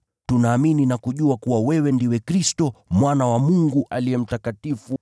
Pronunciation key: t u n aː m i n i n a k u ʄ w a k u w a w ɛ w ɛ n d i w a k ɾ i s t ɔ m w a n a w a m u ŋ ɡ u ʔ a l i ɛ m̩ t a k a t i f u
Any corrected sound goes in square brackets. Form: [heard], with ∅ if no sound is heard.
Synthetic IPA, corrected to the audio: t u n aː m i n i n a k u ʄ [u] a k u w a w ɛ w ɛ n d i w [ɛ] k ɾ i s t ɔ m w a n a w a m u ŋ ɡ u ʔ a l i ɛ m̩ t a k a t i f u